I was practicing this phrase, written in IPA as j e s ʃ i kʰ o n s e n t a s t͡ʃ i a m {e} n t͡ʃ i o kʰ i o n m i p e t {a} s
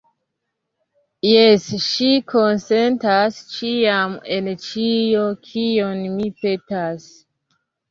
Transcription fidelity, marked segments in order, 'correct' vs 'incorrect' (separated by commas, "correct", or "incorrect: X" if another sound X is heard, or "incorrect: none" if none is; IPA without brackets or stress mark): correct, correct